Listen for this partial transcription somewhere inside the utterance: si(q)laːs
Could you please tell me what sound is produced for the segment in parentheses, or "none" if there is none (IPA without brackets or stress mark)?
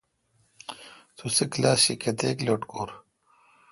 k